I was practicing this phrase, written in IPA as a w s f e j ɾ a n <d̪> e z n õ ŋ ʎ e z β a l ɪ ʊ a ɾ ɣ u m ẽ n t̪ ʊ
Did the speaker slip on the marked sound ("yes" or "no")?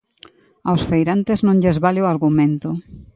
yes